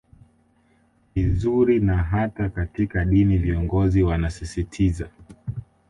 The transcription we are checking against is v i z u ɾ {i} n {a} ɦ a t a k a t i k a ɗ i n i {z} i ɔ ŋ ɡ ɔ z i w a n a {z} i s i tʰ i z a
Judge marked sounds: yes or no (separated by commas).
yes, yes, no, no